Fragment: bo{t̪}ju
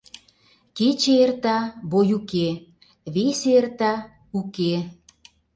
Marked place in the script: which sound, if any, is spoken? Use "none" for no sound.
none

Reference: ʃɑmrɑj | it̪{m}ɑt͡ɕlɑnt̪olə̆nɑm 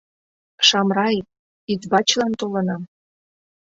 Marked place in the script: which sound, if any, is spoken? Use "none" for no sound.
b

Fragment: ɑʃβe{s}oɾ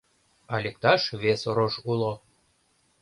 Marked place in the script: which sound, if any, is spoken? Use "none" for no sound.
s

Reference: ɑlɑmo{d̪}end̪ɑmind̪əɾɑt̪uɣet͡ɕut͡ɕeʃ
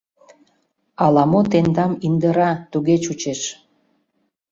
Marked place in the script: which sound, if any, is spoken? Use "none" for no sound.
t̪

